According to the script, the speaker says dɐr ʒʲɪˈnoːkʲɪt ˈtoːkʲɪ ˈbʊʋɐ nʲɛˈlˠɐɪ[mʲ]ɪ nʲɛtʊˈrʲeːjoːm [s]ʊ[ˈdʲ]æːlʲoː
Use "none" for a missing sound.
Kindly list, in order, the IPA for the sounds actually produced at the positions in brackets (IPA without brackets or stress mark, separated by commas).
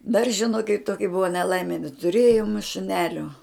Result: mʲ, ʃ, nʲ